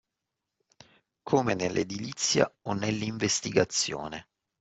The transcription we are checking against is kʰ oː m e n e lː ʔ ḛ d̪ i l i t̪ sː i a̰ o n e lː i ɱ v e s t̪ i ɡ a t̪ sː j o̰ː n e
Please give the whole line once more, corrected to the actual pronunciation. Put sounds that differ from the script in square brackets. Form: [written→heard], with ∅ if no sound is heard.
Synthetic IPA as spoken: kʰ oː m e n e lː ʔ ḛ d̪ i l i t̪ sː [i→j] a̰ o n e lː i ɱ v e s t̪ i ɡ a t̪ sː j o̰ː n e